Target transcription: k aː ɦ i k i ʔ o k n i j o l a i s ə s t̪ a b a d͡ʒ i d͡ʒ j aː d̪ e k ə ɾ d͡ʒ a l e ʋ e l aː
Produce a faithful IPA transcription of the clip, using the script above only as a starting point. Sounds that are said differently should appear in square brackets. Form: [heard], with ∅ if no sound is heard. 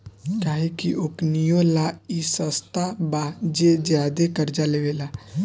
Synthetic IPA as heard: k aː ɦ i k i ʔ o k n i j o l a i s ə s t̪ a b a d͡ʒ [e] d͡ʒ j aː d̪ e k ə ɾ d͡ʒ a l e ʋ e l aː